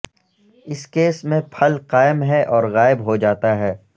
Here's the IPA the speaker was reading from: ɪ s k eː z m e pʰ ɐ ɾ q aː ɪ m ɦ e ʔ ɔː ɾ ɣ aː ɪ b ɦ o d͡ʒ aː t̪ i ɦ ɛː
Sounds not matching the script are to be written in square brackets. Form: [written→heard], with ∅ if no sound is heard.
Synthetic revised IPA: ɪ s k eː [z→s] m [e→ẽ] pʰ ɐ [ɾ→l] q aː ɪ m ɦ [e→ɛ] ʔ ɔː ɾ ɣ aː ɪ b ɦ o d͡ʒ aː t̪ [i→a] ɦ ɛː